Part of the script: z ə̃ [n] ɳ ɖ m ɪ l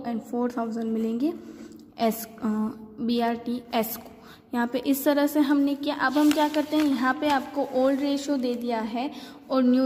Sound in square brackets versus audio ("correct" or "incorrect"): incorrect